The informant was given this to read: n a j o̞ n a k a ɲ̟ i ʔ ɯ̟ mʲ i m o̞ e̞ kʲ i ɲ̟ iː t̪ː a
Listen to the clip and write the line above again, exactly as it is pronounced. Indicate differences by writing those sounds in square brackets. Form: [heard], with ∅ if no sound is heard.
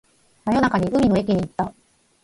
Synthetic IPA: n a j o̞ n a k a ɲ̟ i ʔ ɯ̟ mʲ i [n] o̞ e̞ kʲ i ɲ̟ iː t̪ː a